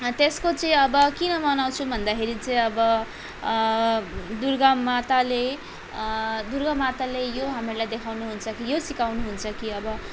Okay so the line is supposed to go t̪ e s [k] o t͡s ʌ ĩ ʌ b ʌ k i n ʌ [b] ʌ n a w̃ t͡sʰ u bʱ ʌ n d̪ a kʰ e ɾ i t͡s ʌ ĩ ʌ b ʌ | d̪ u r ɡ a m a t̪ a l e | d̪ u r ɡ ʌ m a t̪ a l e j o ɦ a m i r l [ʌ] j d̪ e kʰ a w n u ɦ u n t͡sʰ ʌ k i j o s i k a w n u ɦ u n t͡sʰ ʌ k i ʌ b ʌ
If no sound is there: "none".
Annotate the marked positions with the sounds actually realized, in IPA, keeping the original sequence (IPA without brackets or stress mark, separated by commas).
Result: k, m, a